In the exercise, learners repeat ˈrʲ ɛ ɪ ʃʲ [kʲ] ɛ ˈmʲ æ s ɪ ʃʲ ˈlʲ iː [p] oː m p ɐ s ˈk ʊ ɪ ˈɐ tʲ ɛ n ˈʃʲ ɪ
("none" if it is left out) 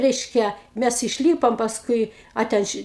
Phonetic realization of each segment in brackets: kʲ, p

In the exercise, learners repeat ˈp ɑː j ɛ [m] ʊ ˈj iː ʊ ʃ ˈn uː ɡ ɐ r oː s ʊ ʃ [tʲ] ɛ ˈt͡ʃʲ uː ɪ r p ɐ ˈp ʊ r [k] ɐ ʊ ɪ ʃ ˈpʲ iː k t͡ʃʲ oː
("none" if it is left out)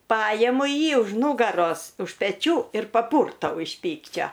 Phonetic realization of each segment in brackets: m, pʲ, t

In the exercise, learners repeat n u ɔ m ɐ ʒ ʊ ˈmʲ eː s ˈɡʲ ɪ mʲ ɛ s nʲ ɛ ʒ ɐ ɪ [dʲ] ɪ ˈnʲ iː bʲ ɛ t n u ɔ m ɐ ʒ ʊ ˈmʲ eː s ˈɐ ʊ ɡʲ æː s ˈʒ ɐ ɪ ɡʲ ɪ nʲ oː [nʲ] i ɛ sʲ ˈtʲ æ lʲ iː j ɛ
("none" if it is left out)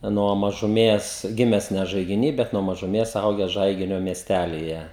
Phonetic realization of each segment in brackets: ɡʲ, mʲ

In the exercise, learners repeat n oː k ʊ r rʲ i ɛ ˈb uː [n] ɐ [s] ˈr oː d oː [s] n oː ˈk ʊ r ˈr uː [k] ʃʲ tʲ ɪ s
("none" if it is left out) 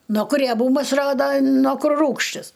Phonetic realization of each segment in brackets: m, s, none, k

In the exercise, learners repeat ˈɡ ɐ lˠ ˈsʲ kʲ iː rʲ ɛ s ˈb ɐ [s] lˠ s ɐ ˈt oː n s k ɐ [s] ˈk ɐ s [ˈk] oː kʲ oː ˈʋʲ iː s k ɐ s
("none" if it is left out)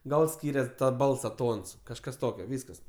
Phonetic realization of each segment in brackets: none, ʃ, t

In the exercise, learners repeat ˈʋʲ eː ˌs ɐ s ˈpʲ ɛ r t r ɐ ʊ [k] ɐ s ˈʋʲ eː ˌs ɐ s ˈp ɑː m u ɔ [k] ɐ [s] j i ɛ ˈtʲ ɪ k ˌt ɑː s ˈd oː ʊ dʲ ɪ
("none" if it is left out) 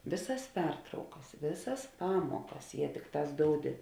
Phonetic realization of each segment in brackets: k, k, s

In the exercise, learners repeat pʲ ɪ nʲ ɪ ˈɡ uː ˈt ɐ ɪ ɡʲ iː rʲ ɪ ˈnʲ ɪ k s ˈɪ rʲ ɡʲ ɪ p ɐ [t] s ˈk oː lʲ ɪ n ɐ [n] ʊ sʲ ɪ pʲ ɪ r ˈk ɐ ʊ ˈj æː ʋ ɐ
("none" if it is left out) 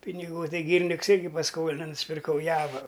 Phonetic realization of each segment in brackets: none, n

